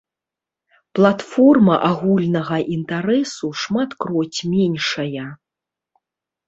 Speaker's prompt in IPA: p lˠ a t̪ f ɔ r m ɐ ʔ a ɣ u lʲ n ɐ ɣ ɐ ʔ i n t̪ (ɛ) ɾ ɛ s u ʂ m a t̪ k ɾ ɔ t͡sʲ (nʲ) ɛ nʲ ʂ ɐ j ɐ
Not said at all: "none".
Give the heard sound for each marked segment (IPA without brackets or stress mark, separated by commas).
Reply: a, mʲ